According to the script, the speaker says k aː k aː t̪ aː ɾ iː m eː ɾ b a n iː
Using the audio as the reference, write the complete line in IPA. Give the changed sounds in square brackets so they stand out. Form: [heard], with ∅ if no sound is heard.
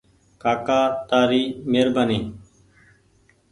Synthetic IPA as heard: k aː k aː t̪ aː ɾ iː m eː ɾ b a n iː